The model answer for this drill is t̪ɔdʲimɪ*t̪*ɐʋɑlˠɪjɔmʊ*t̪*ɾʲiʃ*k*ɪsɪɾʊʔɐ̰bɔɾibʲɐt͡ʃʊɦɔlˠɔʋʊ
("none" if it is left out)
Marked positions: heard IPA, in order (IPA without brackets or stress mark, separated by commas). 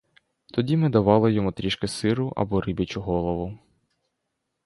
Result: d̪, t̪, k